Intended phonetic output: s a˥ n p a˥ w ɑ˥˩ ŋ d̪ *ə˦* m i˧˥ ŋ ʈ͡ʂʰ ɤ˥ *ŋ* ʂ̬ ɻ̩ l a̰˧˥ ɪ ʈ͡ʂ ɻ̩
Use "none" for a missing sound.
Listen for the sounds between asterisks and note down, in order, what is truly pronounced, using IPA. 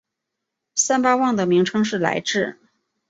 ə˩, ŋ

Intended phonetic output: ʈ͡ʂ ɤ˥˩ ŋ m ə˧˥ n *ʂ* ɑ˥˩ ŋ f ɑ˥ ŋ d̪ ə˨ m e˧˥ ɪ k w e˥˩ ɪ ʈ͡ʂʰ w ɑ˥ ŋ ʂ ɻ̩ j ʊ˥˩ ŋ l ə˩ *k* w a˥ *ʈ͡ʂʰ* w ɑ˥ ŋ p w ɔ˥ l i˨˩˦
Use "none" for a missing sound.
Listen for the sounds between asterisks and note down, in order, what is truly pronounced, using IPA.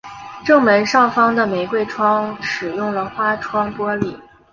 ʂ, x, ʈ͡ʂʰ

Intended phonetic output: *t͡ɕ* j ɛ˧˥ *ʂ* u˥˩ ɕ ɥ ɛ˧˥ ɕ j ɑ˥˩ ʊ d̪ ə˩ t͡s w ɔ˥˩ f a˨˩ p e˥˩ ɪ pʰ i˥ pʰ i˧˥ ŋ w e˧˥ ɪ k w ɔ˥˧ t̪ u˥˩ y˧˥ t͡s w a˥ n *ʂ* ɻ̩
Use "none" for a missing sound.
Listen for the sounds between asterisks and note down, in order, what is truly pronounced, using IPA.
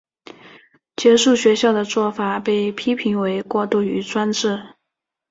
t͡ɕ, ʂ, ʈ͡ʂ

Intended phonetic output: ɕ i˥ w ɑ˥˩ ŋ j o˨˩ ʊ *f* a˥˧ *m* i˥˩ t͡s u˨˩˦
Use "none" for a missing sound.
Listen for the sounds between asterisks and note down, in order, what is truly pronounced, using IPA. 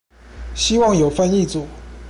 f, n

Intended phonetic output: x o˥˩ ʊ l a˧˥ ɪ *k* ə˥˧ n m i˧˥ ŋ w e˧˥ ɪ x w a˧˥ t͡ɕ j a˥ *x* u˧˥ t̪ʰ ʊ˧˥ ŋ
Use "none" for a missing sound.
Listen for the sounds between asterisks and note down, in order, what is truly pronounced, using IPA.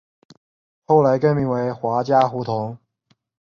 k, x

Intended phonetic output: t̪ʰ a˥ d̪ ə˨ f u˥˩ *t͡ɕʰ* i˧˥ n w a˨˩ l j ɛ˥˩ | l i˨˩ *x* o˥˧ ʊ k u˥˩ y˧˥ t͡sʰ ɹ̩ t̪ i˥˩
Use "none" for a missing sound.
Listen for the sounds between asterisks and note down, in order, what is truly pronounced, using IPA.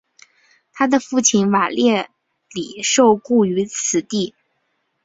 t͡ɕʰ, ʂ

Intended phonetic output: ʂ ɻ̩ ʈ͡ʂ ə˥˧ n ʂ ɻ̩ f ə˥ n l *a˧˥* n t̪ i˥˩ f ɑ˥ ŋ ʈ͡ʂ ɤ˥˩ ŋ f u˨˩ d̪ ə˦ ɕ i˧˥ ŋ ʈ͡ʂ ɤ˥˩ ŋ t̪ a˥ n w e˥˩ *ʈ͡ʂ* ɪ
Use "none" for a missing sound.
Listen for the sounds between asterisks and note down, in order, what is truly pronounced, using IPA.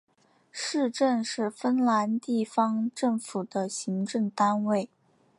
a˧˥, none

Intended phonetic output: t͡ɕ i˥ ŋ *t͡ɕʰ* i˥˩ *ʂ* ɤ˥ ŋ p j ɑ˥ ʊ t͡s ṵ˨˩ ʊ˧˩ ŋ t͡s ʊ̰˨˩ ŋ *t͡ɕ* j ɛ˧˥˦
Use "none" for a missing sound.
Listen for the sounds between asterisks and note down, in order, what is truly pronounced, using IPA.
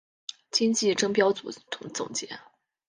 t͡ɕ, ʈ͡ʂ, t͡ɕ

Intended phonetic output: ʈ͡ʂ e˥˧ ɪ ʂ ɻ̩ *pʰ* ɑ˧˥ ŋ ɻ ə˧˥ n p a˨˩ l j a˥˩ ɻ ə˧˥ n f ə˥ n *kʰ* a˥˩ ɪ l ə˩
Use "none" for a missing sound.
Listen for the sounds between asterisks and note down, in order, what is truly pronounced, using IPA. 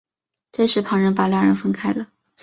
pʰ, kʰ

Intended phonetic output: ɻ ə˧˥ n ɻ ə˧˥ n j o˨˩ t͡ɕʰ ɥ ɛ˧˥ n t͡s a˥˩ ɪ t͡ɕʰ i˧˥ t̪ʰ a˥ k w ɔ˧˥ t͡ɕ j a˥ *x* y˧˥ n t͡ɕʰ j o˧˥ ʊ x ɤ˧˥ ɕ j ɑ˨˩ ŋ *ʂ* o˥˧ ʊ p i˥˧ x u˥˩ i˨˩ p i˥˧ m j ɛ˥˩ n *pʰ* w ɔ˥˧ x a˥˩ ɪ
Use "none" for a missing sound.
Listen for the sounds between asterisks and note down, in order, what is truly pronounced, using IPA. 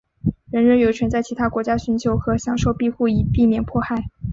ɕ, ʂ, pʰ

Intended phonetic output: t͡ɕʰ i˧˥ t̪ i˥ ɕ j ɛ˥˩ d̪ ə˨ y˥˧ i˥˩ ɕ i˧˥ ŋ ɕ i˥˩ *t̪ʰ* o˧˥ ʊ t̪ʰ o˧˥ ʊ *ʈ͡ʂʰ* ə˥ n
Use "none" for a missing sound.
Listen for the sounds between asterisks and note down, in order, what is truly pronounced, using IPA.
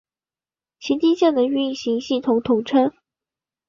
t̪ʰ, ʈ͡ʂʰ

